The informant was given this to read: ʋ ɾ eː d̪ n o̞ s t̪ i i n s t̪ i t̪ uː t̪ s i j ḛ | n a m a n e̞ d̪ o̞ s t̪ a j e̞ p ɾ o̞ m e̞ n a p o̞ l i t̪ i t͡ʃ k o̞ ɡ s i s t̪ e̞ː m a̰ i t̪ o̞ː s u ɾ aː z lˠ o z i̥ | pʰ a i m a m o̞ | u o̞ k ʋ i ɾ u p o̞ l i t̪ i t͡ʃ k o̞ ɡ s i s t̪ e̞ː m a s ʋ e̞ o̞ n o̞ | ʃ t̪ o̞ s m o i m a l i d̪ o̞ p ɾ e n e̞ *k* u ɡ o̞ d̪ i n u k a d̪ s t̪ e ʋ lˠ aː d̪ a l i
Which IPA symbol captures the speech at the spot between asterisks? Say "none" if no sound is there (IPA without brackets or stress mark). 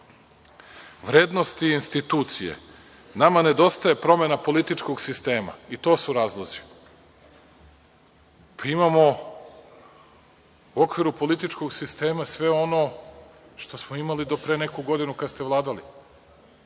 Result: k